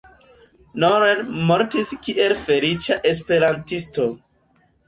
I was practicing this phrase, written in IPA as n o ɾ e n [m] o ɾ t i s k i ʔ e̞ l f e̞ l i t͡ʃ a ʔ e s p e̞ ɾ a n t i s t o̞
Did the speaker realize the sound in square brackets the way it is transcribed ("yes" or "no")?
yes